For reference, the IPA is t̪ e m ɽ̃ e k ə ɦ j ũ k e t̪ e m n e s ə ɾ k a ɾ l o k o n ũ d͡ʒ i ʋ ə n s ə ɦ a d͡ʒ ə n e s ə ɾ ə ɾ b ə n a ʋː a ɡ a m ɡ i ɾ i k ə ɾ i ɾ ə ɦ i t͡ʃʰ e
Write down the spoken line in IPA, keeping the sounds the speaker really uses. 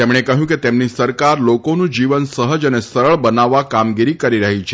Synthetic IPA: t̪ e m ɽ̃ e k ə ɦ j ũ k e t̪ e m n i s ə ɾ k a ɾ l o k o n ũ d͡ʒ i ʋ ə n s ə ɦ ə d͡ʒ ə n e s ə ɾ ə ɭ b ə n a ʋː a k a m ɡ i ɾ i k ə ɾ i ɾ ə ɦ i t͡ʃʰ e